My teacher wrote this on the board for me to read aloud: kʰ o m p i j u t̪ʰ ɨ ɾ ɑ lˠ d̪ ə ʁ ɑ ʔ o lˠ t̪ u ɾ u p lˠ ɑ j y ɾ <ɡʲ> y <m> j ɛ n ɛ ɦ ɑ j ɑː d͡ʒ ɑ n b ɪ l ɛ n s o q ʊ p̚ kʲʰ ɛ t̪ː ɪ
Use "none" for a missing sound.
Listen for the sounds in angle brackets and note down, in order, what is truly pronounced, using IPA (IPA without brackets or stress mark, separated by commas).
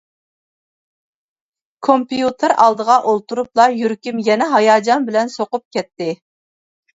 kʲ, m